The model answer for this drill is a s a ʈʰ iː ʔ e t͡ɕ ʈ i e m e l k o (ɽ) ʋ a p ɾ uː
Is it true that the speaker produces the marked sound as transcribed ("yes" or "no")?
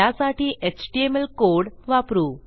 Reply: yes